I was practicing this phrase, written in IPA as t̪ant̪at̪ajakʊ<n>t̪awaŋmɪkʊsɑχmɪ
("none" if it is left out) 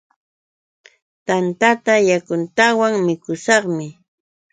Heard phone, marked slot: n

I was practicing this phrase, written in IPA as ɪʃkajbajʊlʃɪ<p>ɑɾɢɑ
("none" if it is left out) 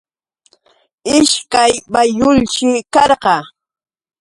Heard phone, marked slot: k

